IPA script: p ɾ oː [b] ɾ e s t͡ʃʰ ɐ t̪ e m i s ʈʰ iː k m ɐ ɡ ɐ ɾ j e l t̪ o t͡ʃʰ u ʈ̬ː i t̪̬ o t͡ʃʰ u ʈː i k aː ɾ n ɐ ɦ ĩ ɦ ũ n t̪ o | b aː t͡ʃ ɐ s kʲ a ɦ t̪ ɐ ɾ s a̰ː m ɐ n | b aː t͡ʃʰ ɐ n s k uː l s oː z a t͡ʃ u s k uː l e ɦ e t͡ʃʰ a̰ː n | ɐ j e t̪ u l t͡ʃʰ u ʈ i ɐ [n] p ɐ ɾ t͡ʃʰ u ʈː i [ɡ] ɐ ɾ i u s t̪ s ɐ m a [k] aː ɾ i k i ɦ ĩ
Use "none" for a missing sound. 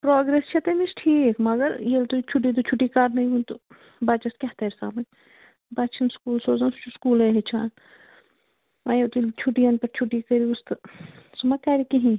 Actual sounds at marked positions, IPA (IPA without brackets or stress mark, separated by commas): ɡ, n, k, k